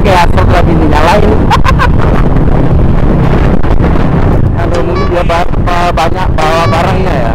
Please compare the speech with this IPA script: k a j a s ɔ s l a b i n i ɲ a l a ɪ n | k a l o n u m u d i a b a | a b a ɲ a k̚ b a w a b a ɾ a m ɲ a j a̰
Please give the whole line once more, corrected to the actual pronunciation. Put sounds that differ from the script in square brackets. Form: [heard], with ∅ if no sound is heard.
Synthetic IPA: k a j a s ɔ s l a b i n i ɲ a l a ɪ n | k a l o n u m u d i a b a | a b a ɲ a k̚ b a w a b a ɾ a [ŋ] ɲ a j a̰